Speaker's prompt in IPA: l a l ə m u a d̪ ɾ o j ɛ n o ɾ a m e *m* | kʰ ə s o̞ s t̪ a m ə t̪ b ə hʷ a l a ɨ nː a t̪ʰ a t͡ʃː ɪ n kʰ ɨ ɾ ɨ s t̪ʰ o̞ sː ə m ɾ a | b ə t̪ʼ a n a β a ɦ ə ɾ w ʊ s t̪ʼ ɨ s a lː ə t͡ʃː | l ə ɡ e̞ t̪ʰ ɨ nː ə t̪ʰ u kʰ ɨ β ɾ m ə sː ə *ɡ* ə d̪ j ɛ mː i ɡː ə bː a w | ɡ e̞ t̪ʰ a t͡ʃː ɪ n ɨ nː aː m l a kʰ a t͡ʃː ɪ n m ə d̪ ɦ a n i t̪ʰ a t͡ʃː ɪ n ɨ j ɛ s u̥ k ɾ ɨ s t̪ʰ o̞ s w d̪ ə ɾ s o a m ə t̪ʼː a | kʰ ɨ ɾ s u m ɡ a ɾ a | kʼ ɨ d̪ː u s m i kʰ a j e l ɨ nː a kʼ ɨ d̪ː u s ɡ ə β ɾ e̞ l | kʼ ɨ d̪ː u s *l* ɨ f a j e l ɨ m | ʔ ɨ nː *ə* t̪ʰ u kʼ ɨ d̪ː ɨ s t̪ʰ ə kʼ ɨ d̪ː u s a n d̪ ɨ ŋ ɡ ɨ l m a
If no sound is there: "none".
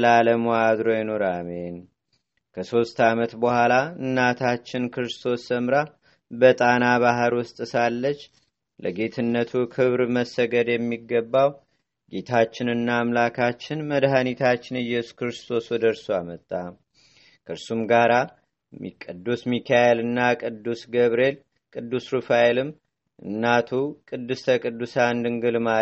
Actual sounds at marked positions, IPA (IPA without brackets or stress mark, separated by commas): n, ɡ, ɾ, a